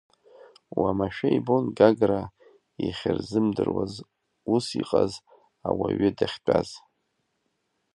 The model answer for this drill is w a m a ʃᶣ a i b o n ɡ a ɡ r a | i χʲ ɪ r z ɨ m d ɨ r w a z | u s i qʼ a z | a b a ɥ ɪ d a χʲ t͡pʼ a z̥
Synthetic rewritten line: w a m a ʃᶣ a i b o n ɡ a ɡ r a | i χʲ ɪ r z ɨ m d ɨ r w a z | u s i qʼ a z | a w a ɥ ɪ d a χʲ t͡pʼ a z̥